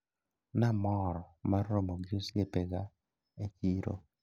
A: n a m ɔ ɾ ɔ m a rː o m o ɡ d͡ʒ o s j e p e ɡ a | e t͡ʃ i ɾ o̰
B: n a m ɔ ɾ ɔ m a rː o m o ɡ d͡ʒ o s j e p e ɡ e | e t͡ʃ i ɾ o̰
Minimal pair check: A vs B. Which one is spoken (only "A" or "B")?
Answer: A